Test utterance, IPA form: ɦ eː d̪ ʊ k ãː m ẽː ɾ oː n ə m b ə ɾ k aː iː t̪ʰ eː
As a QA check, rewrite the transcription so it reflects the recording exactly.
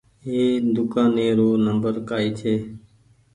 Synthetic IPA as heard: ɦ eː d̪ ʊ k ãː n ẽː ɾ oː n ə m b ə ɾ k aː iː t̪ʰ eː